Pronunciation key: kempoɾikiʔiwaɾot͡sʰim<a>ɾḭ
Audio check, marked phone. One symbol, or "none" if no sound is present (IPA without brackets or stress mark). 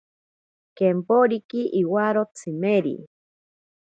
e